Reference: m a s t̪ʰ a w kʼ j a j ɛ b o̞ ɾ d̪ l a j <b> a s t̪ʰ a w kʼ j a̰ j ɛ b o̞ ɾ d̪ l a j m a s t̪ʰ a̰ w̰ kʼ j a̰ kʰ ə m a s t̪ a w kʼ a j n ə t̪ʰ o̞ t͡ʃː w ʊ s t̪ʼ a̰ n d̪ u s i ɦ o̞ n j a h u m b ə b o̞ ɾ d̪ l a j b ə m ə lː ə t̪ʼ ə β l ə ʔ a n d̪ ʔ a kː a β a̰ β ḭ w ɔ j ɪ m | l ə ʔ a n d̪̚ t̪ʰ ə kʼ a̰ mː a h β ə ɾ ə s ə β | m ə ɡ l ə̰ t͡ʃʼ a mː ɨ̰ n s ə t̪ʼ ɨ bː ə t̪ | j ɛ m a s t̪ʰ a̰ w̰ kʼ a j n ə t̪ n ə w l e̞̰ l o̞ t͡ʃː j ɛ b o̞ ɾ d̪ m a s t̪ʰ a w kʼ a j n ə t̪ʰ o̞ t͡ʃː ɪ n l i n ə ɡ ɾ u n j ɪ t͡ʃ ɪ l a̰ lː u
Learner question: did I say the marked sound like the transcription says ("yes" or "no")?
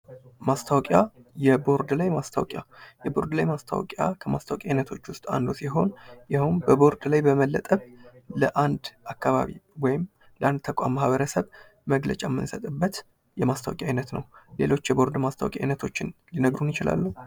no